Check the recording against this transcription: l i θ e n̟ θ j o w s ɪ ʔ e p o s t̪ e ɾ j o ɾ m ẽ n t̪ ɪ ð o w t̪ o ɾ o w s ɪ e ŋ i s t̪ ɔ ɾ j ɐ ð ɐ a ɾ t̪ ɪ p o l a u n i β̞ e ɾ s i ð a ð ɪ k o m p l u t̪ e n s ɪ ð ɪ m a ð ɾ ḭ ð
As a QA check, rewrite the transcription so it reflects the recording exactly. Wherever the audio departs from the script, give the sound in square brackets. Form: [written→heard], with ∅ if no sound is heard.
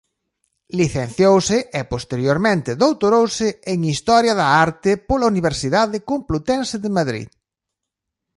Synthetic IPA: l i θ e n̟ θ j o w s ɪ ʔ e p o s t̪ e ɾ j o ɾ m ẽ n t̪ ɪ ð o w t̪ o ɾ o w s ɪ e ŋ i s t̪ ɔ ɾ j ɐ ð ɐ a ɾ t̪ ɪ p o l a u n i β̞ e ɾ s i ð a ð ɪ k o m p l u t̪ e n s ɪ ð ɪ m a ð ɾ ḭ ð